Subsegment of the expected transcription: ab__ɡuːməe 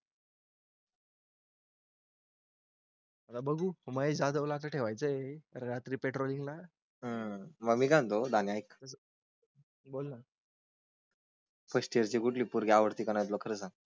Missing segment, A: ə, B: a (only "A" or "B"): A